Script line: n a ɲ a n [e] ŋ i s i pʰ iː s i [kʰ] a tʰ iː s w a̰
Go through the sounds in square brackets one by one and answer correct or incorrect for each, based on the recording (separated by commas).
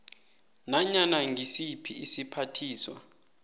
incorrect, incorrect